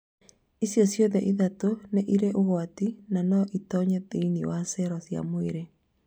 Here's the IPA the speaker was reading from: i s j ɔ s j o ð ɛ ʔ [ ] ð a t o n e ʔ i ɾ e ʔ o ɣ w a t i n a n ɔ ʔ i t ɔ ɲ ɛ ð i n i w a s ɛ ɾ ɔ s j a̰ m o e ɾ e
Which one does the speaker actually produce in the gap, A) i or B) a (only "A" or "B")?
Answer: A